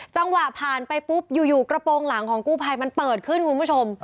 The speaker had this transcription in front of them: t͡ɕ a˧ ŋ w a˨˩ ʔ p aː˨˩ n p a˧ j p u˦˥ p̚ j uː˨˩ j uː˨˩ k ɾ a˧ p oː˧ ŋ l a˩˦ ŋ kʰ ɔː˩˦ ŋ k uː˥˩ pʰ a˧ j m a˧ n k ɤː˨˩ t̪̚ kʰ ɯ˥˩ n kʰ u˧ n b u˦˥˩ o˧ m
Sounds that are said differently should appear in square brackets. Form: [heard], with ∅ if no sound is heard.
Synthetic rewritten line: t͡ɕ a˧ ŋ w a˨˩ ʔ [pʰ] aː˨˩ n p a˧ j p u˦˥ p̚ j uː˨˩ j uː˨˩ k ɾ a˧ p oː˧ ŋ l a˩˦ ŋ kʰ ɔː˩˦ ŋ k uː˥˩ pʰ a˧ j m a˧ n [p] ɤː˨˩ t̪̚ kʰ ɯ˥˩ n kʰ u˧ n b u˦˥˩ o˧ m